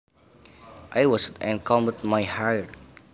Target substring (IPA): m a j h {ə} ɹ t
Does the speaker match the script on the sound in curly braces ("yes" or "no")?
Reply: no